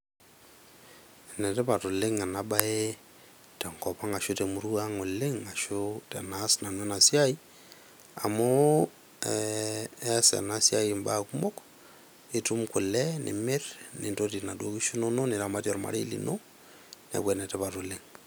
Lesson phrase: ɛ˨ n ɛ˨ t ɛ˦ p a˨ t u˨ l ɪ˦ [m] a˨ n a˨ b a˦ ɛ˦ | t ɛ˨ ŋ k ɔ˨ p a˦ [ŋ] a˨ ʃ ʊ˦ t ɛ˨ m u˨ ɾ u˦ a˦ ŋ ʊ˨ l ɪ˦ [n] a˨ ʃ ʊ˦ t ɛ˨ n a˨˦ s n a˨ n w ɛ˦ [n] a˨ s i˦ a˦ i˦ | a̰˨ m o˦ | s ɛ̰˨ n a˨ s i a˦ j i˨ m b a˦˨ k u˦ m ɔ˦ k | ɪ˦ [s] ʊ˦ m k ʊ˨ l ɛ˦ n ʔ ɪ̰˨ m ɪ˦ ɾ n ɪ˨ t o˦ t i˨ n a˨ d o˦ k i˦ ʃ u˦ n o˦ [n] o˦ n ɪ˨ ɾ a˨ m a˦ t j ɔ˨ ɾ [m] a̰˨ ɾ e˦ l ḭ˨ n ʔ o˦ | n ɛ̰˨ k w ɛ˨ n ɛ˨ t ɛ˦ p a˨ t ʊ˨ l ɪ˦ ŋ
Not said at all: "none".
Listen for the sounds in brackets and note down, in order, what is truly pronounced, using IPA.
ŋ, ŋ, ŋ, n, t, n, m

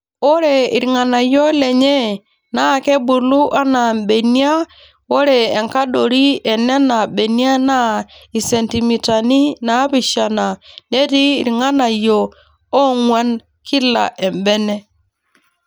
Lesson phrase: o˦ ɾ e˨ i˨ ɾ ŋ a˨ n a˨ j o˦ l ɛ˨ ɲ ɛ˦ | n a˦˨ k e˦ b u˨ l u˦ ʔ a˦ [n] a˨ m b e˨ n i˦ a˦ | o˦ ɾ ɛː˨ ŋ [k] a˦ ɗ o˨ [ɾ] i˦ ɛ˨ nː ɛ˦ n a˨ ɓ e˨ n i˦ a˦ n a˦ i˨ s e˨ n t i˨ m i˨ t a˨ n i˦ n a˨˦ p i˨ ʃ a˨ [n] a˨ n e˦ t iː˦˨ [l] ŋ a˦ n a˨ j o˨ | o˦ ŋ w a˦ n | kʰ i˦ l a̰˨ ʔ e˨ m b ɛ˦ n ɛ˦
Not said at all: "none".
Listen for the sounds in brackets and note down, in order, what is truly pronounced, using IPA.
n, k, ɾ, n, ɾ

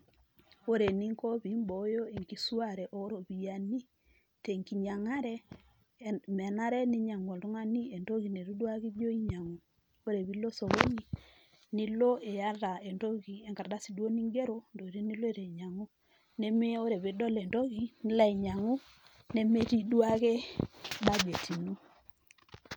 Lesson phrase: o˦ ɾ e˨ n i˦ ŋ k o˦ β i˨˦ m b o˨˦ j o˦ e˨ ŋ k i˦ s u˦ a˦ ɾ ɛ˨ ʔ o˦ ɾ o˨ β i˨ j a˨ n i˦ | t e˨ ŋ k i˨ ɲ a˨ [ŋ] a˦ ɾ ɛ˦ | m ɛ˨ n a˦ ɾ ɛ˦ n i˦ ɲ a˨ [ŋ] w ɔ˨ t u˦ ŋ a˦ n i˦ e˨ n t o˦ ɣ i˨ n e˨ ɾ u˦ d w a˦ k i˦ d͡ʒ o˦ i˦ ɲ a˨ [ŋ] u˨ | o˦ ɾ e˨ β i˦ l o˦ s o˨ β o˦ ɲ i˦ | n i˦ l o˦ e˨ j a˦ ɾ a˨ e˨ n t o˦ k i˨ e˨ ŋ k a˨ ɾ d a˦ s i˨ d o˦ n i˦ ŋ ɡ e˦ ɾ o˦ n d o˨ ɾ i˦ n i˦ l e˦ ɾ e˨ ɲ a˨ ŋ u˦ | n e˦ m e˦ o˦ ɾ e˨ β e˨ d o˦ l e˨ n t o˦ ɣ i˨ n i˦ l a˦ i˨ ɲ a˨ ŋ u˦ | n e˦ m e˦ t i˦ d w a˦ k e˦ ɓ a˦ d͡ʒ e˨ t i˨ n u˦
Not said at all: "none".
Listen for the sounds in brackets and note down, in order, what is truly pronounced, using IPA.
ŋ, ŋ, ŋ

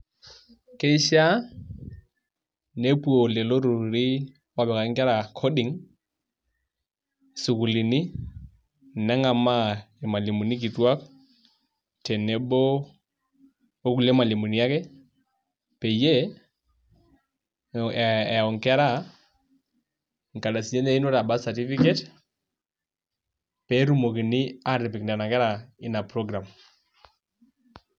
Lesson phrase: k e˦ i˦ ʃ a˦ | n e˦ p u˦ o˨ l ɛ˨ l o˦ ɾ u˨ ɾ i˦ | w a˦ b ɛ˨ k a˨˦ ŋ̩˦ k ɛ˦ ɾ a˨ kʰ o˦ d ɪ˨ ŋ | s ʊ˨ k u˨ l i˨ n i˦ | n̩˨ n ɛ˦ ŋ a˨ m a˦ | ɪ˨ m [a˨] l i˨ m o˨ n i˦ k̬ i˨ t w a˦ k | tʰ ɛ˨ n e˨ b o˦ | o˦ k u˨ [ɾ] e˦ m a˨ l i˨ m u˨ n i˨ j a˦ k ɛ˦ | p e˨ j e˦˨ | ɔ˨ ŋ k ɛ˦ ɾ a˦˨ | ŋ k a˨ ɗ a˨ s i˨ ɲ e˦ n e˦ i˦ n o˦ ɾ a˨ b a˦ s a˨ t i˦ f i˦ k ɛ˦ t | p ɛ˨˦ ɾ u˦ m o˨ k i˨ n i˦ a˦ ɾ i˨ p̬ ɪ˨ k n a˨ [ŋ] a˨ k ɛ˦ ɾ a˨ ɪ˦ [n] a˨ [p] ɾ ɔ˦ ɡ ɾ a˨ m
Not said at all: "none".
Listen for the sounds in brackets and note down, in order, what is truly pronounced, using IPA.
a˨, l, n, n, p

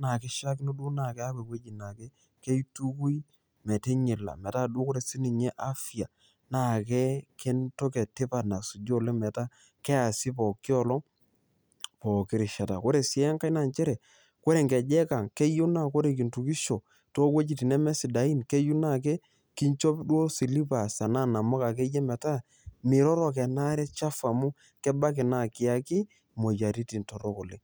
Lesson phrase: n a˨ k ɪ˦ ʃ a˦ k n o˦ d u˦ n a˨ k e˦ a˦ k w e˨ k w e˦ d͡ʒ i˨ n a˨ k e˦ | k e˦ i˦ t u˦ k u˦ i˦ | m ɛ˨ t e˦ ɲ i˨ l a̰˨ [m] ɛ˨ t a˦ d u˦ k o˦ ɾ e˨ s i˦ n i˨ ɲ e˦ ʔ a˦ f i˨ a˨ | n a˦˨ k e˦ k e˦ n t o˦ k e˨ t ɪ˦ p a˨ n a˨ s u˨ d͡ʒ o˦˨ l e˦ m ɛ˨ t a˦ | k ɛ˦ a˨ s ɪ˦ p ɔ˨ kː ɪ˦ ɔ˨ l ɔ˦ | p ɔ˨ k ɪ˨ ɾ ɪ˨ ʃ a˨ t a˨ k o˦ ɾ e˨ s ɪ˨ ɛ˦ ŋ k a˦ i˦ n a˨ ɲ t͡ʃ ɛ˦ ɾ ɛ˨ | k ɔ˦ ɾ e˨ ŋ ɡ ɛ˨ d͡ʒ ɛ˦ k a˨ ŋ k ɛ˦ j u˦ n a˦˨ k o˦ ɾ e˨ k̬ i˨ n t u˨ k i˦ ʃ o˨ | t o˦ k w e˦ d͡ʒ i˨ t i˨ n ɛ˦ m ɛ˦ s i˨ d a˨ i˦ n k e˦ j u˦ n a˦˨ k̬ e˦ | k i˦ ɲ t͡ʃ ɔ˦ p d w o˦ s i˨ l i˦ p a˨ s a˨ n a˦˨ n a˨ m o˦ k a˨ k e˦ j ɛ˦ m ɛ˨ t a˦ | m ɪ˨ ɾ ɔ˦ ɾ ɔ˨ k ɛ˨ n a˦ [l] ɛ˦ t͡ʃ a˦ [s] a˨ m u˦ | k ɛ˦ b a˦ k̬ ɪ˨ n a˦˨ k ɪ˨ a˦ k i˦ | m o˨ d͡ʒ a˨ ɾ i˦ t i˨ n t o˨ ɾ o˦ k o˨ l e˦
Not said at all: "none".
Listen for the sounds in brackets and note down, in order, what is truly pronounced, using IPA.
m, ɾ, f

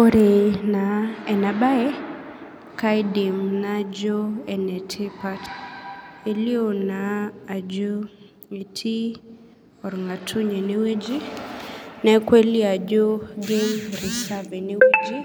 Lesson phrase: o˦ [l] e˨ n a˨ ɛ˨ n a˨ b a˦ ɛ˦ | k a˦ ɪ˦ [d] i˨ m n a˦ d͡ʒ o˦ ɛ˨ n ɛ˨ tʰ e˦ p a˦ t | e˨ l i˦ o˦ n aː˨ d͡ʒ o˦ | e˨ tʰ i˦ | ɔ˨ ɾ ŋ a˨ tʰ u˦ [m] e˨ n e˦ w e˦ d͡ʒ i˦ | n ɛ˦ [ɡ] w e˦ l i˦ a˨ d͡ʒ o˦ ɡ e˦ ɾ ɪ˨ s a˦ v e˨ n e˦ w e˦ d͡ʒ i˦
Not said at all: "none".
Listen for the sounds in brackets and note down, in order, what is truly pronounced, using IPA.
ɾ, d, ɲ, k

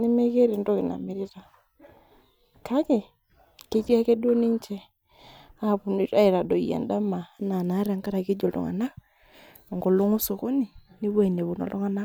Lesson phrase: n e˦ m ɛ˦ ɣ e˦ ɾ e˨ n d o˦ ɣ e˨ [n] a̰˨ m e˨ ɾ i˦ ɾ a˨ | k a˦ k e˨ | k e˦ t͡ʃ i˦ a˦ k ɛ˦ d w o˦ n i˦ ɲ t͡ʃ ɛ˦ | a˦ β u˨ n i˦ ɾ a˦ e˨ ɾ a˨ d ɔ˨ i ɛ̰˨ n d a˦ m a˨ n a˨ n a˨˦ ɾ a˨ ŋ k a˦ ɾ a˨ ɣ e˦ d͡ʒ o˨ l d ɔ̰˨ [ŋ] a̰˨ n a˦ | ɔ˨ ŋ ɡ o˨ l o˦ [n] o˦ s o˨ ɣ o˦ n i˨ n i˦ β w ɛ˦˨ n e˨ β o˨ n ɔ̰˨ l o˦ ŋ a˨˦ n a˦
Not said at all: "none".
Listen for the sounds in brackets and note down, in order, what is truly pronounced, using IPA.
n, ŋ, ŋ

